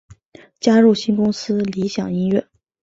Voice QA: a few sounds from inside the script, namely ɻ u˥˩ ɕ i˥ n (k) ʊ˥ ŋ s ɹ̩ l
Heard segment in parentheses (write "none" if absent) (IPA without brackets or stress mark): k